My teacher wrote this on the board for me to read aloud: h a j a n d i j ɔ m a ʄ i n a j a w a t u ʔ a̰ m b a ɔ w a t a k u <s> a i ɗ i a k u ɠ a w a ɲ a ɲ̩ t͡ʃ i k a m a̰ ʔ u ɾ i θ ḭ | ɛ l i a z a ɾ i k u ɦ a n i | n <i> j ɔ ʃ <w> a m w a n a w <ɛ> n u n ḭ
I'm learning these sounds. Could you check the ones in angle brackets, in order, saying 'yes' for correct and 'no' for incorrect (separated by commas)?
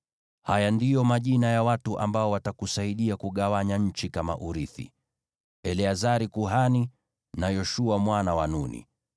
yes, no, no, no